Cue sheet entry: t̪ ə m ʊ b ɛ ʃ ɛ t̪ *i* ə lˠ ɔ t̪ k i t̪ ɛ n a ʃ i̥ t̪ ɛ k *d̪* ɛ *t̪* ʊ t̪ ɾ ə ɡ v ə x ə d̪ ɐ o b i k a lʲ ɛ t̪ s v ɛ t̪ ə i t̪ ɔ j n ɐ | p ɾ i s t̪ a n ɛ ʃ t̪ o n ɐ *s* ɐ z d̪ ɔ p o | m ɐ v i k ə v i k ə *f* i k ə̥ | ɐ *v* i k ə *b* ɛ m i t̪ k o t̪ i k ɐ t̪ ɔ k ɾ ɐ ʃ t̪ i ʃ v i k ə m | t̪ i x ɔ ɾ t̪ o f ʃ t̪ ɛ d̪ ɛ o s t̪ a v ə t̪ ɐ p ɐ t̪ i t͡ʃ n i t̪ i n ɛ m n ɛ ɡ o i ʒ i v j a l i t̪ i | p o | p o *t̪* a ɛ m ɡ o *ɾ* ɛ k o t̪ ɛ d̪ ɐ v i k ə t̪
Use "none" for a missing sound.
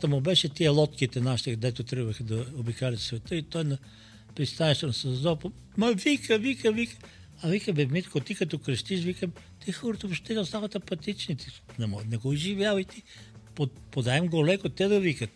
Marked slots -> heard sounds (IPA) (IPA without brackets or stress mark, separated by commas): i, d̪, t̪, s, v, v, b, d̪, l